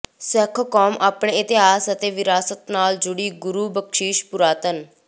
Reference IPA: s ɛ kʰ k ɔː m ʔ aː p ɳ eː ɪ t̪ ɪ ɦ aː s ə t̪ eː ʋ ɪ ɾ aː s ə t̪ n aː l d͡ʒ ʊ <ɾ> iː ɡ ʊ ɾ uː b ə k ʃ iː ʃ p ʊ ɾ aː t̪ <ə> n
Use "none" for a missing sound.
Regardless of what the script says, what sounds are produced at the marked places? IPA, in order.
ɽ, ə

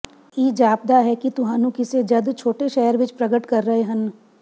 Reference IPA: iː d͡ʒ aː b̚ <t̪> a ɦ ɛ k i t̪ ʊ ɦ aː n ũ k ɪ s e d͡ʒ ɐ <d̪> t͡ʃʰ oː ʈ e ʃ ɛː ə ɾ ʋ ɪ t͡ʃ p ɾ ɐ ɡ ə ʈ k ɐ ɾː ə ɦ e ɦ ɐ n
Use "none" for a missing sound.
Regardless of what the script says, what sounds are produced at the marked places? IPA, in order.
d̪, d̪

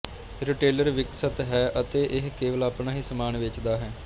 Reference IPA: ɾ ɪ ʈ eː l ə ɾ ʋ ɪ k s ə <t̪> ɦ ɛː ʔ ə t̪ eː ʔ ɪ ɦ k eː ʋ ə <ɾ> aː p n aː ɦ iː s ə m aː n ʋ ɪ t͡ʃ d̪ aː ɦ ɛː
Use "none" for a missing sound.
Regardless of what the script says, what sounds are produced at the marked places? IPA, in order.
t̪, l

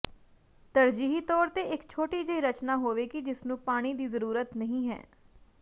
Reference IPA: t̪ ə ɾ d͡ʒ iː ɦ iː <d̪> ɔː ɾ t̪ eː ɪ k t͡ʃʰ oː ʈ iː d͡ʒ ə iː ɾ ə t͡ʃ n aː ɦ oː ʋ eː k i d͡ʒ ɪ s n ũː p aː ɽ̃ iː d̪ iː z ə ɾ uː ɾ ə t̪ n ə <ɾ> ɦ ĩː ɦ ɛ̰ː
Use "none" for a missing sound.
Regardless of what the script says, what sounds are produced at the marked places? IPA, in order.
t̪, none

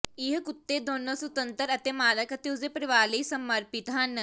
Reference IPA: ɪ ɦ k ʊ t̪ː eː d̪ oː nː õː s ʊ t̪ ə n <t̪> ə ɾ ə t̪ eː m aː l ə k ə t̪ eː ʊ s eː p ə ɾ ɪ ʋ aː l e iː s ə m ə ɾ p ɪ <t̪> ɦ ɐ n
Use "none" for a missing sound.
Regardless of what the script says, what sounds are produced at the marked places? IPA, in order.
t̪, t̪

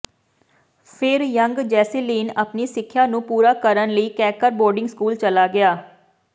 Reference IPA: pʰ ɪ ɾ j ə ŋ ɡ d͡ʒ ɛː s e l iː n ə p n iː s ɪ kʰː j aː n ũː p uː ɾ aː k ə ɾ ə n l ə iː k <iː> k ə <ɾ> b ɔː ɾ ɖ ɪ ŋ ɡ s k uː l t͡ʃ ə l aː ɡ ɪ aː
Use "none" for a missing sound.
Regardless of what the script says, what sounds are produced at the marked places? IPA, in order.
ɛː, ɾ

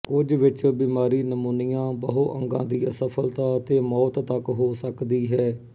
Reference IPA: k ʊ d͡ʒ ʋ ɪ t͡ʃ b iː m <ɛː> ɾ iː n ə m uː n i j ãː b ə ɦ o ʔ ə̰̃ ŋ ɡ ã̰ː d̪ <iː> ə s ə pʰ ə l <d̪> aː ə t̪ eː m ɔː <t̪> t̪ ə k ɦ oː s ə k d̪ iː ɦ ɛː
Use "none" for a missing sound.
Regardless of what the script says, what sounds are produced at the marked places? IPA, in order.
aː, iː, t̪, t̪

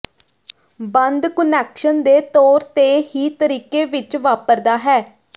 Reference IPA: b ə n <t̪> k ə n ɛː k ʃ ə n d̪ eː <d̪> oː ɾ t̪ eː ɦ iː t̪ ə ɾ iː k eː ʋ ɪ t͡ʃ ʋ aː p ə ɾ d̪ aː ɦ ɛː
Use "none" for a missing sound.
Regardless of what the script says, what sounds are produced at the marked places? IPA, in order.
d̪, t̪

